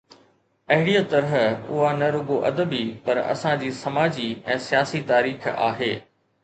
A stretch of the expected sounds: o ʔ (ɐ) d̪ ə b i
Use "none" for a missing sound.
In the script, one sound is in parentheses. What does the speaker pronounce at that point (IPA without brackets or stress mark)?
ɐ